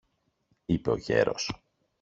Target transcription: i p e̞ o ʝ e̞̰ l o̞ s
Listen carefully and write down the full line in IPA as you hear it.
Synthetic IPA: i p e̞ o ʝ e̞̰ ɾ o̞ s